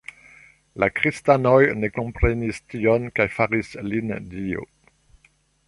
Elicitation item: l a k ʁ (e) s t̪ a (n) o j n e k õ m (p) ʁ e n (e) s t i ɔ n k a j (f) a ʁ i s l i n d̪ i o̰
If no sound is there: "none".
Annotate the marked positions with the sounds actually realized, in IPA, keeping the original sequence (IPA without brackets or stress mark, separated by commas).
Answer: i, n, p, i, f